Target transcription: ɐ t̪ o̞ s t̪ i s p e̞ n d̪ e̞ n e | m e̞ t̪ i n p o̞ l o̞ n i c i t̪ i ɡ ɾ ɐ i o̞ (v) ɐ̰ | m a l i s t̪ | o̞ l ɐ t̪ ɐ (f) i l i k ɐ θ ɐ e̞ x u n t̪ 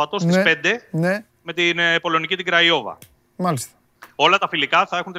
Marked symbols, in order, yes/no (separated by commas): yes, yes